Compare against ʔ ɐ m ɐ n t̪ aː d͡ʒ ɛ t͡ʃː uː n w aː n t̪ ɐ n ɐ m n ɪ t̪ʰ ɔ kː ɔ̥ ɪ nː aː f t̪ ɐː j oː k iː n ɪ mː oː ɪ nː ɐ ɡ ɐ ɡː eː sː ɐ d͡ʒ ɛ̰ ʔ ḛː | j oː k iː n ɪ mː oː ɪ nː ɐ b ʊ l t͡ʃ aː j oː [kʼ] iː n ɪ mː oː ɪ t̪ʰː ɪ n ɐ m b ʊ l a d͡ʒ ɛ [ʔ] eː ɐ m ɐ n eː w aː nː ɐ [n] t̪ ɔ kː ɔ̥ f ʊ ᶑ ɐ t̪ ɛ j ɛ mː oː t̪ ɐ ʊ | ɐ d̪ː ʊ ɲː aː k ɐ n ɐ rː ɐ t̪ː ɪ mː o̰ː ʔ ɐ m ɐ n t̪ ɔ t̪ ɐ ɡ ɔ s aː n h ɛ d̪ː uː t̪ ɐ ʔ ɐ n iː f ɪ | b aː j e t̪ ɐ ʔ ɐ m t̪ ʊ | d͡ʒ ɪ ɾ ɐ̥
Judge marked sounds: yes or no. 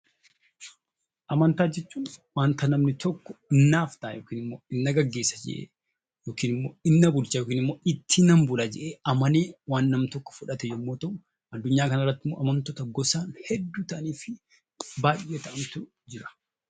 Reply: no, yes, no

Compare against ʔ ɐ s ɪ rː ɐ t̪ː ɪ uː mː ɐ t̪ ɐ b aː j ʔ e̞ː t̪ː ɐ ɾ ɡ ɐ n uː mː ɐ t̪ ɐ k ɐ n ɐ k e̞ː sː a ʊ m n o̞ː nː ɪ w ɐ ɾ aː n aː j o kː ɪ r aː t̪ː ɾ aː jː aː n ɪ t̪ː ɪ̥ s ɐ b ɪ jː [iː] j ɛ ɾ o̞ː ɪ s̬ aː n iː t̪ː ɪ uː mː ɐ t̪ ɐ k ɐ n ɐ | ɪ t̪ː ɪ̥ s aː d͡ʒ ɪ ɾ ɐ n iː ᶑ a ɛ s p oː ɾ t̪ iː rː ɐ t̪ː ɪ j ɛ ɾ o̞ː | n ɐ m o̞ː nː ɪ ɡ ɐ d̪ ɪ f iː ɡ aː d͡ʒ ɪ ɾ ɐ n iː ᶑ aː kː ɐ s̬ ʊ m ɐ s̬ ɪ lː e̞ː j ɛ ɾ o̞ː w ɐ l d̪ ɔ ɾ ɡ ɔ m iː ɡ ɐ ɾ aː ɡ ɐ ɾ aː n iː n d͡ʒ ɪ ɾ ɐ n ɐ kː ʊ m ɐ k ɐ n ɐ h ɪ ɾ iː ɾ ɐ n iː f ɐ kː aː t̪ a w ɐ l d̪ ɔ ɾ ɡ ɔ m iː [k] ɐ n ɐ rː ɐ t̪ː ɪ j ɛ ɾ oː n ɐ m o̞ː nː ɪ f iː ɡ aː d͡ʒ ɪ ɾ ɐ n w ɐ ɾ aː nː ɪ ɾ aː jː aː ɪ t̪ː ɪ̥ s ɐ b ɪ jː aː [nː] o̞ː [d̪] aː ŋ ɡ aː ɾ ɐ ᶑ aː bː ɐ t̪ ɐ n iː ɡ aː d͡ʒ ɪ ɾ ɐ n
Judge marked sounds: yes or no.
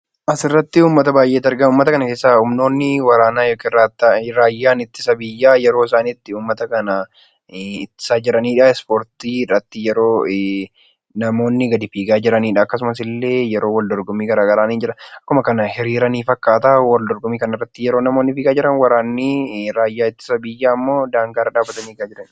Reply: no, yes, no, yes

